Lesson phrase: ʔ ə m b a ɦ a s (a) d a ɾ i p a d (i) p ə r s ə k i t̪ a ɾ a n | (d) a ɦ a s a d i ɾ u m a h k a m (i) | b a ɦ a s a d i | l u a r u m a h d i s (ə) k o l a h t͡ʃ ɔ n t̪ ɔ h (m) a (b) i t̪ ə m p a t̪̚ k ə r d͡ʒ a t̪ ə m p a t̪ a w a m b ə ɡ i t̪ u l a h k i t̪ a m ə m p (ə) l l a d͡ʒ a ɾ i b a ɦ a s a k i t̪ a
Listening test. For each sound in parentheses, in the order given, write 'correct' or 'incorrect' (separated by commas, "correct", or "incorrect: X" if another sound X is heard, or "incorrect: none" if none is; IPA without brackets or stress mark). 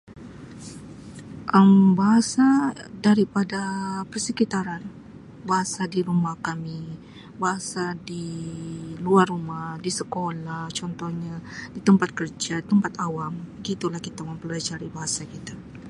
correct, incorrect: a, incorrect: b, correct, correct, incorrect: ɲ, incorrect: d, correct